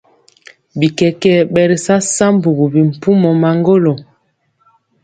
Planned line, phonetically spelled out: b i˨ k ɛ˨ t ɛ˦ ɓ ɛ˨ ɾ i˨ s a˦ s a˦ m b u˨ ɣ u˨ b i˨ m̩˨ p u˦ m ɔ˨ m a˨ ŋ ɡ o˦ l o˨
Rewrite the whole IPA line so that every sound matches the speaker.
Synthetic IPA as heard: b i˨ k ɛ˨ k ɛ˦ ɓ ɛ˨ ɾ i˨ s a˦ s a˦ m b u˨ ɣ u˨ b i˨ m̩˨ p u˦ m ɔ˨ m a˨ ŋ ɡ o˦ l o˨